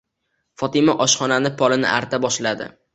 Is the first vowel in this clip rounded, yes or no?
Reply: yes